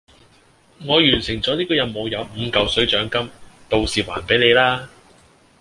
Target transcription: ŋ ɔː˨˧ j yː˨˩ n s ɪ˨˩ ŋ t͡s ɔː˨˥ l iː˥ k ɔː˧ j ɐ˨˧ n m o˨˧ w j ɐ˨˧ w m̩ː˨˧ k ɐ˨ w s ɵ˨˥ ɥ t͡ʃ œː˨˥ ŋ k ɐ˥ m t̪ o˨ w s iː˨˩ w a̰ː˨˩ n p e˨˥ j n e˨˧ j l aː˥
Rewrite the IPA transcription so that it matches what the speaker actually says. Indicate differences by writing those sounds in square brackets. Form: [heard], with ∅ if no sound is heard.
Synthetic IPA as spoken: ŋ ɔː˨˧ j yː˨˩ n s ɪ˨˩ ŋ t͡s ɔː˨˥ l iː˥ k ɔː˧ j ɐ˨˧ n m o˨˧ w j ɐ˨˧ w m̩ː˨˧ k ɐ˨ w s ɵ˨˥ ɥ t͡ʃ œː˨˥ ŋ k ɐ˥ m t̪ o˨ w s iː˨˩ w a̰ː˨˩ n p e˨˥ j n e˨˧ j l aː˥

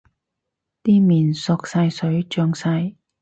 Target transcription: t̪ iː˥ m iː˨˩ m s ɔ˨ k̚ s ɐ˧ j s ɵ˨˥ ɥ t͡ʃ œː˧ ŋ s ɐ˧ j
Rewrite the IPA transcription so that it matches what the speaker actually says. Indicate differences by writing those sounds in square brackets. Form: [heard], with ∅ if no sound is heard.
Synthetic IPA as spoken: t̪ iː˥ m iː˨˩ [n] s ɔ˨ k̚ s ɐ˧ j s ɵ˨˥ ɥ t͡ʃ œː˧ ŋ s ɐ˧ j

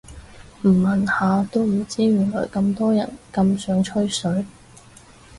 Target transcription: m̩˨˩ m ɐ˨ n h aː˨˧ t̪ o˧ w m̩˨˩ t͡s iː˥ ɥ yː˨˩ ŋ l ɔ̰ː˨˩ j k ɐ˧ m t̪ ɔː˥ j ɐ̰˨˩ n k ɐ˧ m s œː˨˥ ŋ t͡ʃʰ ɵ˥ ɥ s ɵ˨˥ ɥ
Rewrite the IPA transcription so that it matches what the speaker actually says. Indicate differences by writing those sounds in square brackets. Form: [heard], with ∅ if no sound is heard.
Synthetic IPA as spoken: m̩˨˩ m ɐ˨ n h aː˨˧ t̪ [o˥] w m̩˨˩ t͡s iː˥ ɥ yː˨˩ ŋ l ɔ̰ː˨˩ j k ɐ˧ m t̪ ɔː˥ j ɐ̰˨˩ n k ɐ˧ m s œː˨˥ ŋ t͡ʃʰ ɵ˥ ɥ s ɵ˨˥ ɥ

